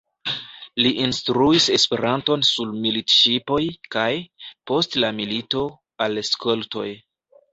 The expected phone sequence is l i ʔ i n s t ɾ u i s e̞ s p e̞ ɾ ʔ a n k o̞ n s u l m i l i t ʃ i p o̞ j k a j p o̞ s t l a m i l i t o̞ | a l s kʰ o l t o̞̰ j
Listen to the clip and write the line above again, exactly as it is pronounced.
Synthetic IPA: l i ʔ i n s t ɾ u i s e̞ s p e̞ ɾ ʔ a n t o̞ n s u l m i l i t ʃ i p o̞ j k a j p o̞ s t l a m i l i t o̞ | a l s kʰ o l t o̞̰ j